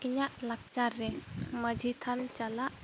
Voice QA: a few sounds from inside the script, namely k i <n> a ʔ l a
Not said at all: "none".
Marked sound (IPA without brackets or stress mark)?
ɲ